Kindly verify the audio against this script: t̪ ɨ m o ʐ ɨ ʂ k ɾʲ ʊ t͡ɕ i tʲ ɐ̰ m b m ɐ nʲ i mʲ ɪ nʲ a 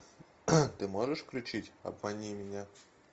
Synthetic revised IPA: t̪ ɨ m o ʐ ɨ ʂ k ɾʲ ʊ t͡ɕ i tʲ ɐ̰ b m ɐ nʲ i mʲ ɪ nʲ a